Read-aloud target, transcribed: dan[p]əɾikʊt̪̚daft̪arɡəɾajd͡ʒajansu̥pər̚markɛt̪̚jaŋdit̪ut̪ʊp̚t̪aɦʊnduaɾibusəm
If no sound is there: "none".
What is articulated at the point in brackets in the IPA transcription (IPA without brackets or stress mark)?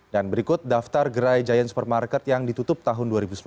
b